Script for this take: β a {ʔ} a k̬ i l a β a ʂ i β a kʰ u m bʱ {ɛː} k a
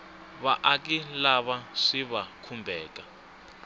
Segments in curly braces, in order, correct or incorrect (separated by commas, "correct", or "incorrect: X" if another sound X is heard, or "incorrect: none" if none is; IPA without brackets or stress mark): correct, correct